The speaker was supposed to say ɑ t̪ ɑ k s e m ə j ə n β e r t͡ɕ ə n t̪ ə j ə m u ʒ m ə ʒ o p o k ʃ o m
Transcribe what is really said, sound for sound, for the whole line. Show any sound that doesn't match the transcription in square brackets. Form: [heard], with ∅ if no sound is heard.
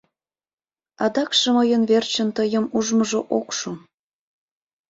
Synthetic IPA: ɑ [d̪] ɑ k [ʃ] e m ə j ə n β e r t͡ɕ ə n t̪ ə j ə m u ʒ m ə ʒ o [ʔ] o k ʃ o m